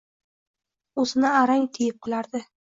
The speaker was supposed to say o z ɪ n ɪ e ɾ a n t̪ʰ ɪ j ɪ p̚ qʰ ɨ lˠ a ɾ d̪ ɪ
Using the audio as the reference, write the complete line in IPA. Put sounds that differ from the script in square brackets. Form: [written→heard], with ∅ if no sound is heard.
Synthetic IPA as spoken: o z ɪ n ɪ [e→a] ɾ a [n→ŋ] t̪ʰ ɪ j ɪ p̚ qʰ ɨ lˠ a ɾ d̪ ɪ